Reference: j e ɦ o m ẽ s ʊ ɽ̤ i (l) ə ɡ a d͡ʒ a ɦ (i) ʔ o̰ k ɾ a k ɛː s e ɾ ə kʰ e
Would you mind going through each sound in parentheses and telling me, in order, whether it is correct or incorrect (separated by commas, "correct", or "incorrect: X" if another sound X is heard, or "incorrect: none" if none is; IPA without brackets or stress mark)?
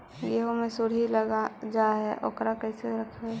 correct, incorrect: ɛ